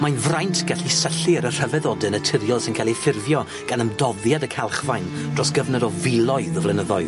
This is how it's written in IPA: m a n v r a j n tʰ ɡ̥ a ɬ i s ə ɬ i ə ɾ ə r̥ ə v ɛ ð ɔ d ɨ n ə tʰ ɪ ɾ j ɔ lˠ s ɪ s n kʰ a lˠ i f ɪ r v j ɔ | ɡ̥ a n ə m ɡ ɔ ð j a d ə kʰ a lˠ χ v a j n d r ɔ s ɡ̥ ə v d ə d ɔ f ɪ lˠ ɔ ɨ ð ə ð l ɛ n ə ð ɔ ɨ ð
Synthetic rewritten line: m a n v r a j n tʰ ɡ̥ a ɬ i s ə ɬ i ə ɾ ə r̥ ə v ɛ ð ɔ d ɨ n ə tʰ ɪ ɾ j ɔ lˠ s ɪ n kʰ a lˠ i f ɪ r v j ɔ | ɡ̥ a n ə m d ɔ ð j a d ə kʰ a lˠ χ v a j n d r ɔ s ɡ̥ ə v n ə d ɔ v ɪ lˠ ɔ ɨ ð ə v l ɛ n ə ð ɔ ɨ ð